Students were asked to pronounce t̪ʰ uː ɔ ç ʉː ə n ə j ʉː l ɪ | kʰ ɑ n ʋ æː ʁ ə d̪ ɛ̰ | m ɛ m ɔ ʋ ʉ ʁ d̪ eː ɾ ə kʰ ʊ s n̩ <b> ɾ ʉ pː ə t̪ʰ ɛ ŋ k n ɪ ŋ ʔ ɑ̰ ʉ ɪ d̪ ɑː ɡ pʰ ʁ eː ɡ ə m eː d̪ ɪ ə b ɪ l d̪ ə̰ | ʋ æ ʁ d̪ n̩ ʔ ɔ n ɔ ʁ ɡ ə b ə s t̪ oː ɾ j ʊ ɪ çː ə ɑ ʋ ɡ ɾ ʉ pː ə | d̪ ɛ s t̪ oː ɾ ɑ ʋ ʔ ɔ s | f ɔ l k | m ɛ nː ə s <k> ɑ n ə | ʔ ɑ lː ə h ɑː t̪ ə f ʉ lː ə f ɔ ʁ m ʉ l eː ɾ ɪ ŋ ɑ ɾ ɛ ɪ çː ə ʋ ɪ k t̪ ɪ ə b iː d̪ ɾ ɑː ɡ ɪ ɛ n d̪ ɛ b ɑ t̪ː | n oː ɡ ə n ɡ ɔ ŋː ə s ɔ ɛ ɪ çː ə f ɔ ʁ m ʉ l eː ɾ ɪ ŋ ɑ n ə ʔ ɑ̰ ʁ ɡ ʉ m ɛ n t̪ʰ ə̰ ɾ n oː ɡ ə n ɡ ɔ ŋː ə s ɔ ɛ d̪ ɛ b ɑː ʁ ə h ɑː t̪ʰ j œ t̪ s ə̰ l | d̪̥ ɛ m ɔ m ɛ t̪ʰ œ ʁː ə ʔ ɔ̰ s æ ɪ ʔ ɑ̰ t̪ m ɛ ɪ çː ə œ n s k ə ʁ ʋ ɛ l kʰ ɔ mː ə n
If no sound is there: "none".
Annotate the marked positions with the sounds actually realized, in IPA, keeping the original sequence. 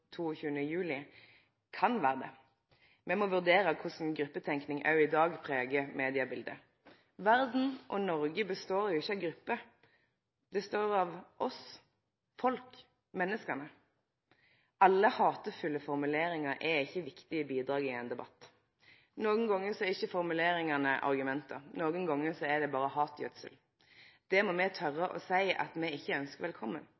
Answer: ɡ, k

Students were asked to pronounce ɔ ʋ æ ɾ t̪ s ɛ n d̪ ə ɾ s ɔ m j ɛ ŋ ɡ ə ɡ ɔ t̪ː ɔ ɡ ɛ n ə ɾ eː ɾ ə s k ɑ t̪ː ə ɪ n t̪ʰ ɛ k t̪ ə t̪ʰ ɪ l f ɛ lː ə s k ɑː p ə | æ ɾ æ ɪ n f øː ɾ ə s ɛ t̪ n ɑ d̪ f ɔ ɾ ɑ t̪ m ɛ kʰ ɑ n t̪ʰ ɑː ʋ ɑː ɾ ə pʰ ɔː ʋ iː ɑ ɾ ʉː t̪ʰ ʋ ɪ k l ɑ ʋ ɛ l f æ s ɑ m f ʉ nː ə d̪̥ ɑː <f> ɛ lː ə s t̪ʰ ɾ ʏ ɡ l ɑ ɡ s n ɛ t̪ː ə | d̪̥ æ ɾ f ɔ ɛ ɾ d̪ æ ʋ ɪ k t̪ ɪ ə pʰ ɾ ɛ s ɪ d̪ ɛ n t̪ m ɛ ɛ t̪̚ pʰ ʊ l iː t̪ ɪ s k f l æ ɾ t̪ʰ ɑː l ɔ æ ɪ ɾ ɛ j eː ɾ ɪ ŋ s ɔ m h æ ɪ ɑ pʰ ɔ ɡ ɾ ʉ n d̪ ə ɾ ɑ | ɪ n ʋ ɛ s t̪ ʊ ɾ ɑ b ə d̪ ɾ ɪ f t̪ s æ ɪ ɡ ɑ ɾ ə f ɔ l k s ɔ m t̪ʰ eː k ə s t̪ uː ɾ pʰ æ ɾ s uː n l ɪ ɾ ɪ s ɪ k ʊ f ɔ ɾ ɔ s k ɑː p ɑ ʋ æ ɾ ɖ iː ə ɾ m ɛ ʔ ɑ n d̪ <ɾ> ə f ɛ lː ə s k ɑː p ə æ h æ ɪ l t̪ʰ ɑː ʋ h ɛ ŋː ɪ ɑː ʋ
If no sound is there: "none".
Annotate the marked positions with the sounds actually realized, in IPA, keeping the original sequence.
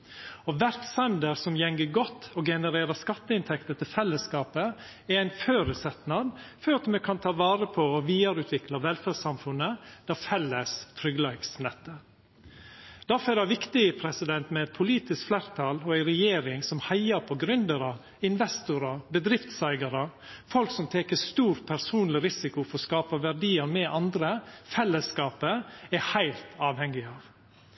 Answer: f, ɾ

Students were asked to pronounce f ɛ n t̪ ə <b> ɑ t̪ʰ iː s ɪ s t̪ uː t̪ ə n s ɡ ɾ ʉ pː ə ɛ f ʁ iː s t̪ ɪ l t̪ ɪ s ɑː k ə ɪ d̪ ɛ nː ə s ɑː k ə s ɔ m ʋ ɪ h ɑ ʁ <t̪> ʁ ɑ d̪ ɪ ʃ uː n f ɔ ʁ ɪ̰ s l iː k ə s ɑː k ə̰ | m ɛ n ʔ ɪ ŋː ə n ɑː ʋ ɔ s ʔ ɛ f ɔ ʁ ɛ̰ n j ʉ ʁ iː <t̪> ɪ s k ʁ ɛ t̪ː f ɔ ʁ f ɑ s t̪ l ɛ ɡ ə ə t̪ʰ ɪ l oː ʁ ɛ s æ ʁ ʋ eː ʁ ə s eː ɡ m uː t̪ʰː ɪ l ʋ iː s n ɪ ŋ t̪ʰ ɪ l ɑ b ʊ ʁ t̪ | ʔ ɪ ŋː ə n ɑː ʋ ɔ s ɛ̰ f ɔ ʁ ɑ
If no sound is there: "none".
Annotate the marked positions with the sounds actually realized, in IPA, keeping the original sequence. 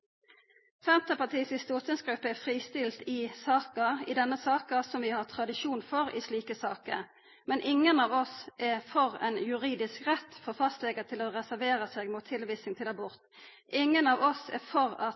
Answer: p, t̪ʰ, d̪

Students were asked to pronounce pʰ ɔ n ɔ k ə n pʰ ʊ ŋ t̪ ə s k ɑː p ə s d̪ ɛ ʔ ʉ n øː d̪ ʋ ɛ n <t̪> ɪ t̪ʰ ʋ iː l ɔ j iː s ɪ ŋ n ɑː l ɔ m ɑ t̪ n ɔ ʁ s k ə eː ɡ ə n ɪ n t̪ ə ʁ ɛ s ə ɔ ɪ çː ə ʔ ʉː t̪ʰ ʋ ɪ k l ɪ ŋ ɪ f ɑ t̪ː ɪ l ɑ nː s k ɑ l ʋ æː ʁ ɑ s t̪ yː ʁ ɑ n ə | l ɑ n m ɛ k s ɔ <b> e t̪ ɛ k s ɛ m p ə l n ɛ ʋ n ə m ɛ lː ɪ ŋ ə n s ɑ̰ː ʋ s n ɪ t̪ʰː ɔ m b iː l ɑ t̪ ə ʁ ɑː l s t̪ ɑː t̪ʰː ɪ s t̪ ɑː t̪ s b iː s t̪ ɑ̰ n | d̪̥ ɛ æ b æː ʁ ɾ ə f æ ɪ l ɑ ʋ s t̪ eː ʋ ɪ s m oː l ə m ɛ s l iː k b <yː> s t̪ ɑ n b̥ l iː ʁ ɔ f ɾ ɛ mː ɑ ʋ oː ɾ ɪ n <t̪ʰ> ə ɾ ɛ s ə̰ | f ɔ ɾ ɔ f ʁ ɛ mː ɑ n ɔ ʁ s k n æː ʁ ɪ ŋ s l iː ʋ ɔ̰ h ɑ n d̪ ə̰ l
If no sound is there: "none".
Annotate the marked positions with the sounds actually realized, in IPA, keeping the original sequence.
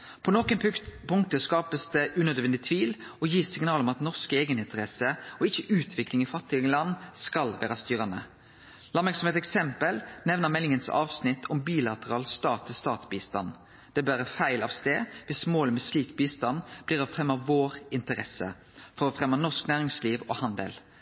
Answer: d̪, m, iː, t̪

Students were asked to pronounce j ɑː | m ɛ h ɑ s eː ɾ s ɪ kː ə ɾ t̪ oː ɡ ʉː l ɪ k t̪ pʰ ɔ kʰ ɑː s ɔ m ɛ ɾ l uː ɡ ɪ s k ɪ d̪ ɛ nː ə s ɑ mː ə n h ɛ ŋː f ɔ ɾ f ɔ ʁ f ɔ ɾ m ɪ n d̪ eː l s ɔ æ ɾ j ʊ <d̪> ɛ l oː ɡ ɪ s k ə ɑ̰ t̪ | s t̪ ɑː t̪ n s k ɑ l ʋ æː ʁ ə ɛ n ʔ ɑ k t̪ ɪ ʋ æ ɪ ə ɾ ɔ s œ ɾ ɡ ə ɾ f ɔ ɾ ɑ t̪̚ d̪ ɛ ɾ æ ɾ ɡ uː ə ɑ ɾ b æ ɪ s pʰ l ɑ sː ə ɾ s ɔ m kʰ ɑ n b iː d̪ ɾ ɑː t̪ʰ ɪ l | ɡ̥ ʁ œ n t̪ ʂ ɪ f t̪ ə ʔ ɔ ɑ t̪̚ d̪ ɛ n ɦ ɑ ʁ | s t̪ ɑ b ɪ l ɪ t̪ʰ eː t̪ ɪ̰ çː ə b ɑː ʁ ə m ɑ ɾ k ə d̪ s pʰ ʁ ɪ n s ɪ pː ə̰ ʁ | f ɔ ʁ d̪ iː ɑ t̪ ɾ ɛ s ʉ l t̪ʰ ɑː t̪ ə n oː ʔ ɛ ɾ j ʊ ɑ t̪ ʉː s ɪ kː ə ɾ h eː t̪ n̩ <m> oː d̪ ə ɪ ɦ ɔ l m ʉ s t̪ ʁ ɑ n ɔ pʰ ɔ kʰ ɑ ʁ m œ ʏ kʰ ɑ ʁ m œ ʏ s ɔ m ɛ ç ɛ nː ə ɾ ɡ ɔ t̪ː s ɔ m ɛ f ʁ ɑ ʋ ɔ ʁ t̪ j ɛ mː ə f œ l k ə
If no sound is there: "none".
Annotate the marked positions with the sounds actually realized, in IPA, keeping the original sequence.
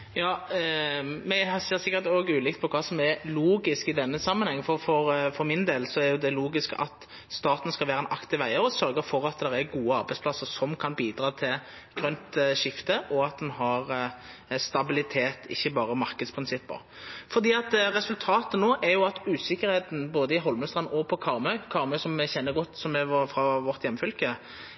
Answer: d̪, b

